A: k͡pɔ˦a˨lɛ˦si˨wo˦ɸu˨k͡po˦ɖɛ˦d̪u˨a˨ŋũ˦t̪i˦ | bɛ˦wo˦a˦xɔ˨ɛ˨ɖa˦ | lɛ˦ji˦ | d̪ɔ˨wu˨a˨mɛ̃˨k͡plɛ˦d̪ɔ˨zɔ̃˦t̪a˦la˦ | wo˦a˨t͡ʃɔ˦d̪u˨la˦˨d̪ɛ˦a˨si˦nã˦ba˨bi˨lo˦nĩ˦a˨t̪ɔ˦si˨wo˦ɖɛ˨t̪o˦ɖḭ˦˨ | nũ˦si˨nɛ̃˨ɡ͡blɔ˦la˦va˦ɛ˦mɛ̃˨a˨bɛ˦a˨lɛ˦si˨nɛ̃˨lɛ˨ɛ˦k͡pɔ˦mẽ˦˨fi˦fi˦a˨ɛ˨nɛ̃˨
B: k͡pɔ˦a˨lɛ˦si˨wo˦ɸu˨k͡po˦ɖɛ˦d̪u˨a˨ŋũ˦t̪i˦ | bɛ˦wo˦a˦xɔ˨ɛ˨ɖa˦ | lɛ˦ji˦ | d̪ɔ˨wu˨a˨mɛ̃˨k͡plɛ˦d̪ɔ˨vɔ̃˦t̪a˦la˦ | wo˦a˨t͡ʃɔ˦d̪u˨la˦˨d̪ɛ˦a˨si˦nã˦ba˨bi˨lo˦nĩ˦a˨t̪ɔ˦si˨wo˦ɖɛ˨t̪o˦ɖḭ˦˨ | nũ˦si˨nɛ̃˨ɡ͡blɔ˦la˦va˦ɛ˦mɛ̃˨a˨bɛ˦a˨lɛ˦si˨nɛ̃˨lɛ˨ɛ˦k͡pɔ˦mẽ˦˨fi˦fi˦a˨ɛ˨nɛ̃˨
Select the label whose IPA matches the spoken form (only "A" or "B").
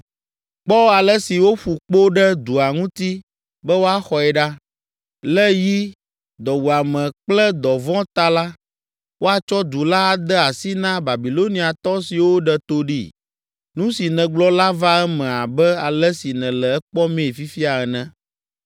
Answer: B